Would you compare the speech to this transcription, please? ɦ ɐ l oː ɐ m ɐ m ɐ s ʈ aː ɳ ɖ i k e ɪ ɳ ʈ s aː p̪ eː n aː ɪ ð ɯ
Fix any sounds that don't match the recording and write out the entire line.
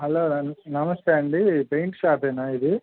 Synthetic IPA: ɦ ɐ l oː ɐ n ɐ m ɐ s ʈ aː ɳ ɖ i p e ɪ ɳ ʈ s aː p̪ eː n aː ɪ ð ɯ